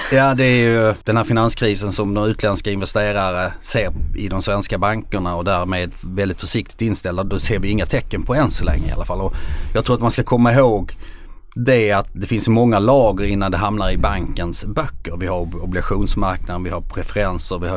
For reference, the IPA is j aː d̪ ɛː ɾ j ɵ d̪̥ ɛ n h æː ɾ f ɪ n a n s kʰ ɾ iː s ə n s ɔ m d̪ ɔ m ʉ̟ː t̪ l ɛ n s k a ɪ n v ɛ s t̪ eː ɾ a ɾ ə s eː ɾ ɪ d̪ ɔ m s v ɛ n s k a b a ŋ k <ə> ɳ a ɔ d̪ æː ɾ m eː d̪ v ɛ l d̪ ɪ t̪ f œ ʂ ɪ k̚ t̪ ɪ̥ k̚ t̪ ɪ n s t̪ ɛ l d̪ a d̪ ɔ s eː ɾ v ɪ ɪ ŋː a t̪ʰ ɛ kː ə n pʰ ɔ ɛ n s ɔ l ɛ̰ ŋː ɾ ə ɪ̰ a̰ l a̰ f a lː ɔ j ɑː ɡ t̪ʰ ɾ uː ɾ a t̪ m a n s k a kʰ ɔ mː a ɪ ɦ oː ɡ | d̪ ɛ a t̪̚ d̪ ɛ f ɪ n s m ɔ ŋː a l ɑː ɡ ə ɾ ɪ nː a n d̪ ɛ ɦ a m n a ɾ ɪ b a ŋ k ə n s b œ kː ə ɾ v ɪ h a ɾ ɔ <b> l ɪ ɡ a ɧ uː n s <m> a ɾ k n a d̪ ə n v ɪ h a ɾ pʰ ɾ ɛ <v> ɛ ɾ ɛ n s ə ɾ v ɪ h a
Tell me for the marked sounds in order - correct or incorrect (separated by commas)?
correct, correct, correct, incorrect